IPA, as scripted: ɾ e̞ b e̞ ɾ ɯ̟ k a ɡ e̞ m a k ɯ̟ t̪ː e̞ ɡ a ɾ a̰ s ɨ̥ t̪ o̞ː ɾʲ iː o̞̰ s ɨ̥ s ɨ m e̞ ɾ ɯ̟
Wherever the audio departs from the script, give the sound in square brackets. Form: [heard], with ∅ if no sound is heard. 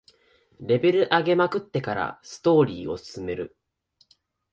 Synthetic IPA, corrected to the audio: ɾ e̞ b e̞ ɾ ɯ̟ [ʔ] a ɡ e̞ m a k ɯ̟ t̪ː e̞ [k] a ɾ a̰ s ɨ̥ t̪ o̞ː ɾʲ iː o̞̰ s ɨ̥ s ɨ m e̞ ɾ ɯ̟